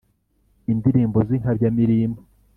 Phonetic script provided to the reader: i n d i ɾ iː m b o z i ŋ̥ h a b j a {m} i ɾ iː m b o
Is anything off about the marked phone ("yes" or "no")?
no